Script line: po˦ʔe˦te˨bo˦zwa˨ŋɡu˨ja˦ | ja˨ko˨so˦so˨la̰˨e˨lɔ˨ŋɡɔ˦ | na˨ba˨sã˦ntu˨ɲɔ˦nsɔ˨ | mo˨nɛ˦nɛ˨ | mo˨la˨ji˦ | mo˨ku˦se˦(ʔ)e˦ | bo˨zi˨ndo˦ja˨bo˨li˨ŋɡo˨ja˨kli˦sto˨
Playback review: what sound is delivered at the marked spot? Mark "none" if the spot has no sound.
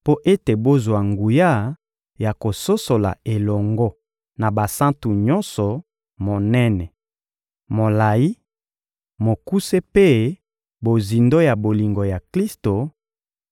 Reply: p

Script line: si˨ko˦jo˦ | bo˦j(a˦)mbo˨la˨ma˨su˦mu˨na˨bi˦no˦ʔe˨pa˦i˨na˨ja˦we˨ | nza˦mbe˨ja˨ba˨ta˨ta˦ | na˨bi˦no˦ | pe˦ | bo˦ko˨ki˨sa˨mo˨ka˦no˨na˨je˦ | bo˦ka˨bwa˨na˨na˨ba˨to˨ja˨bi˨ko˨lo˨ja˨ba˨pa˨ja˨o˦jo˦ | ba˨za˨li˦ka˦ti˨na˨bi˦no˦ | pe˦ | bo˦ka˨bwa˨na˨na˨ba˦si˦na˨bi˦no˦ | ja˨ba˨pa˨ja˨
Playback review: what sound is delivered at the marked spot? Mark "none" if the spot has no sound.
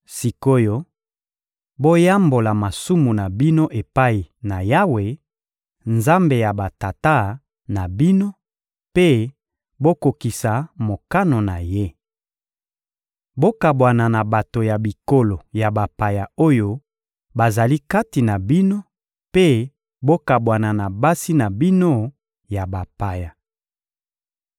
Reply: a˦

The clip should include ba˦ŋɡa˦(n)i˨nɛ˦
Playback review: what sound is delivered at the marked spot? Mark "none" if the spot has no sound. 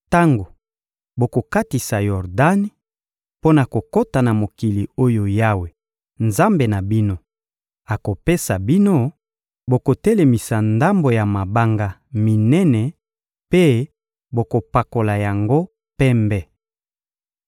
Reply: m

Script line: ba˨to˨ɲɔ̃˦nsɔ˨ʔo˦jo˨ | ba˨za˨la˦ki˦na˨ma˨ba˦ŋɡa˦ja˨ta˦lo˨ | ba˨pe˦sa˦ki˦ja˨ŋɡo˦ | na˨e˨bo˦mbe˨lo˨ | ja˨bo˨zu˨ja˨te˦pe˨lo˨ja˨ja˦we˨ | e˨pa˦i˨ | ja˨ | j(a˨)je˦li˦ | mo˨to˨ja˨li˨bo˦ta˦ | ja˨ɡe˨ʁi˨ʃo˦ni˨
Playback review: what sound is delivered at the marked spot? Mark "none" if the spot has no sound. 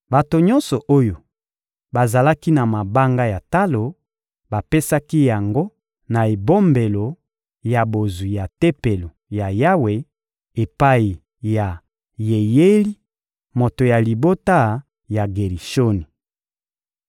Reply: e˨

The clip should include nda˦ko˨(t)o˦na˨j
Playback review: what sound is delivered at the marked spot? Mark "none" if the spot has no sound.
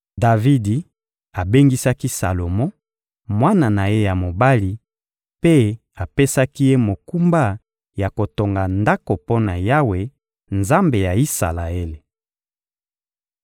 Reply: p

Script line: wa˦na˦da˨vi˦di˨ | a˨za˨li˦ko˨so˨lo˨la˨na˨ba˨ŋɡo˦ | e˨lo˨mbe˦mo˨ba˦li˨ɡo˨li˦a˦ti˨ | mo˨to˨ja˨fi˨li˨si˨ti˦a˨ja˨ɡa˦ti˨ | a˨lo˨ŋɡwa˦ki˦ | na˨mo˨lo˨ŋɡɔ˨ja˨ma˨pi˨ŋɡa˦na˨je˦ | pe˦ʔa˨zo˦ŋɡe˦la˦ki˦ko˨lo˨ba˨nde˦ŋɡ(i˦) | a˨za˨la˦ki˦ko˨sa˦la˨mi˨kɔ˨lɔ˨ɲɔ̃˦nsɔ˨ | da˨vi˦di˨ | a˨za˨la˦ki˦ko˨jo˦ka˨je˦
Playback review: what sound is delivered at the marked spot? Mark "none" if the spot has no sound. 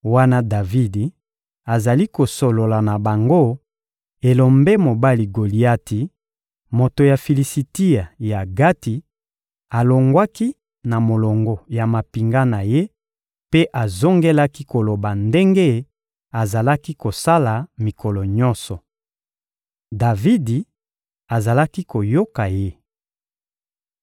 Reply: e˦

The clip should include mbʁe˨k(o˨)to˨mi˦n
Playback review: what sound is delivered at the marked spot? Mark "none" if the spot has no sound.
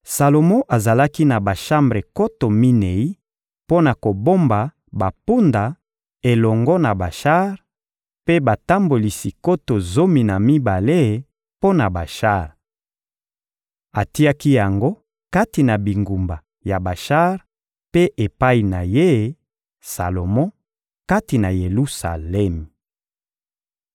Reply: o˦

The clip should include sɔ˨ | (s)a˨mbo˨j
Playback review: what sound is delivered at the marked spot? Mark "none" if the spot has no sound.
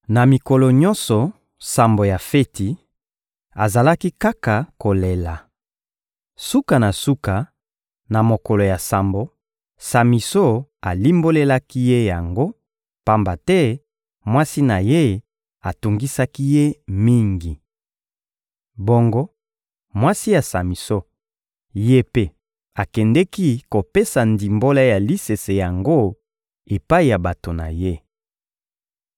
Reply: s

